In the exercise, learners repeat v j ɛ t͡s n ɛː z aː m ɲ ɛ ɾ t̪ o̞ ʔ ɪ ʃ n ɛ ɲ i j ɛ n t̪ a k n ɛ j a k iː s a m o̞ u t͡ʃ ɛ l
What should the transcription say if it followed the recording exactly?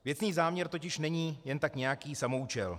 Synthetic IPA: v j ɛ t͡s n iː z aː m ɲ ɛ ɾ t̪ o̞ c ɪ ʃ n ɛ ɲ iː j ɛ n t̪ a k ɲ ɛ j a k iː s a m o̞ u t͡ʃ ɛ l